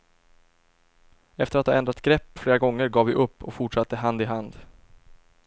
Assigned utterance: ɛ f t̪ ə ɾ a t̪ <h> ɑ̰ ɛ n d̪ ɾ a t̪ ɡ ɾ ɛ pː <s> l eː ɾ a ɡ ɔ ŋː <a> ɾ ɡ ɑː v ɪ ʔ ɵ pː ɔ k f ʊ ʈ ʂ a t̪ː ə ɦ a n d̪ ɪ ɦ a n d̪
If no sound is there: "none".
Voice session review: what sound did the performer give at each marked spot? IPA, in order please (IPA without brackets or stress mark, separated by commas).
h, f, ə